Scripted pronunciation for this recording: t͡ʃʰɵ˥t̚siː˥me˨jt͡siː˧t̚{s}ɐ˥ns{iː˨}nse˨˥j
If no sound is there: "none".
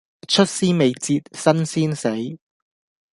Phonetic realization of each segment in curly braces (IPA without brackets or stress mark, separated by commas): s, iː˥